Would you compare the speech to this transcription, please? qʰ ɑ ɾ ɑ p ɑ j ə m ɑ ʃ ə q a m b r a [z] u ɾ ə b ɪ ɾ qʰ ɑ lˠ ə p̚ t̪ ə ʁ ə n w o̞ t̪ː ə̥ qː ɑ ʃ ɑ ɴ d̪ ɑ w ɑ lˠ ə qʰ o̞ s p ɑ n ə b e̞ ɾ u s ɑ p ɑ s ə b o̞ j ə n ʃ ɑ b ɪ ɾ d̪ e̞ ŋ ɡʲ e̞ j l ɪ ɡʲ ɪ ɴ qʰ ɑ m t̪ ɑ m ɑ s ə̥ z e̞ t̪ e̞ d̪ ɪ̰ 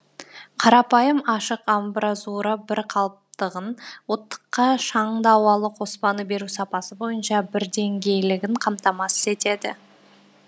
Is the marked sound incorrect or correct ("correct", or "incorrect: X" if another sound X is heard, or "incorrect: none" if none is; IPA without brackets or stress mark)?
correct